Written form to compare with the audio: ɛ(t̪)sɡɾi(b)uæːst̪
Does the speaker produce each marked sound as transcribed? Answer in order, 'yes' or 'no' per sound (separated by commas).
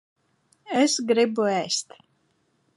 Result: no, yes